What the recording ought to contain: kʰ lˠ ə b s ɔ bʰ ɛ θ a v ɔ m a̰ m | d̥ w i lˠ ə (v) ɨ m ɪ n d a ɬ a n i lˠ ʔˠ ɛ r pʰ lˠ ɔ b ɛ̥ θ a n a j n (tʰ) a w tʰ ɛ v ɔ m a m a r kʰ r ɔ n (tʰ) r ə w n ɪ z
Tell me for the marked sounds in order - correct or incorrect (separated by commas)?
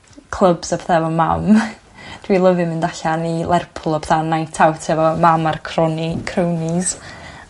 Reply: correct, correct, incorrect